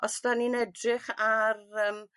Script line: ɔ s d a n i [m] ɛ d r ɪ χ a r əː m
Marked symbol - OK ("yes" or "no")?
no